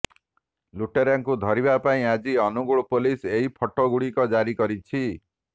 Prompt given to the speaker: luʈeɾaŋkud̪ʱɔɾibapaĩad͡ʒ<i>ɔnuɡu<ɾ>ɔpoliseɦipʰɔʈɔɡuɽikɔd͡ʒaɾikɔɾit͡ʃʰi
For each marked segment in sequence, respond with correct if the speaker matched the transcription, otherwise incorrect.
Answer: correct, incorrect: ɭ

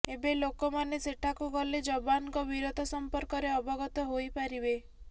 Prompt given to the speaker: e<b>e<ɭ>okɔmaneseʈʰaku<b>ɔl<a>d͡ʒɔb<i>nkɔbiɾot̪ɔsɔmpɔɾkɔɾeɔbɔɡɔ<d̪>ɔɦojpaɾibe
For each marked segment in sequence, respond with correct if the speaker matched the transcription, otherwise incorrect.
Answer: correct, incorrect: l, incorrect: ɡ, incorrect: e, incorrect: a, incorrect: t̪

